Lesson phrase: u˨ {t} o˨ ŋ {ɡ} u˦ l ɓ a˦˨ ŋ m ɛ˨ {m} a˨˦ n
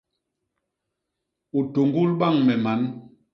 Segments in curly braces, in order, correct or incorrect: correct, correct, correct

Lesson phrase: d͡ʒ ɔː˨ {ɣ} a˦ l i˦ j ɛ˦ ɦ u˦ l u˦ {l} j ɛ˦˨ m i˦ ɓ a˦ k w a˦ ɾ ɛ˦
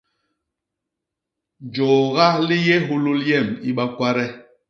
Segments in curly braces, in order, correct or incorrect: correct, correct

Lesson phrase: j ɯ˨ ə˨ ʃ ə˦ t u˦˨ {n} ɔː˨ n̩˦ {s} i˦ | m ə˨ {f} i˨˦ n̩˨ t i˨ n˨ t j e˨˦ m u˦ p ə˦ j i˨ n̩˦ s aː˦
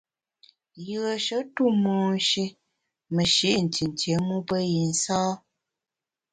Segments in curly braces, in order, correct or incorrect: incorrect: m, incorrect: ʃ, incorrect: ʃ

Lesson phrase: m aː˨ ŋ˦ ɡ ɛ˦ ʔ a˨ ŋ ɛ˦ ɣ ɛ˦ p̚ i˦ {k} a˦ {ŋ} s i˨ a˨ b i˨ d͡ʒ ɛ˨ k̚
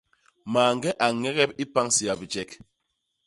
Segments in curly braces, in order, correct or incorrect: incorrect: p, correct

